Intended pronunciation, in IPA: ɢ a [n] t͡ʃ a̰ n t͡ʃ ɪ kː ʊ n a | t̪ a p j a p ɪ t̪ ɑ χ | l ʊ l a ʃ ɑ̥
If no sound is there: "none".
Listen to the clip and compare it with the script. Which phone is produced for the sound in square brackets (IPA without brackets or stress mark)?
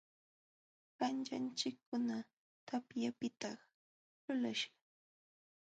n